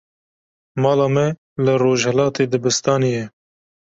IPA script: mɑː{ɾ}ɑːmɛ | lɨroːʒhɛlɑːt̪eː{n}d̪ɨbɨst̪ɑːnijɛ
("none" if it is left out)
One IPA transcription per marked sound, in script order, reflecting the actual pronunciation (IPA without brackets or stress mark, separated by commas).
l, none